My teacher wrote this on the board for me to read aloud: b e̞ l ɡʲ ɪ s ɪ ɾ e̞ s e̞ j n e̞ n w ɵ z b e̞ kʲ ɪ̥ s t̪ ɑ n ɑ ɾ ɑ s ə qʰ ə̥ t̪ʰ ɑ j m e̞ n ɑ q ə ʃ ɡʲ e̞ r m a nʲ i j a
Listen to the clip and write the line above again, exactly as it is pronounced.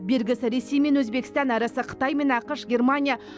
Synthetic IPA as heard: b e̞ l ɡʲ ɪ s ɪ ɾ e̞ s e̞ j m e̞ n w ɵ z b e̞ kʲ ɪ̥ s t̪ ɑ n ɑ ɾ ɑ s ə qʰ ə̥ t̪ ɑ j m e̞ n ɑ q ə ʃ ɡʲ e̞ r m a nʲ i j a